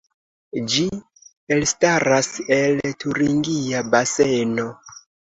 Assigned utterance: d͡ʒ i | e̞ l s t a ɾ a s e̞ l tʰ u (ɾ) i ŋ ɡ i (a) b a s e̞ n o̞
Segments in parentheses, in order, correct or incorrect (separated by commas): correct, correct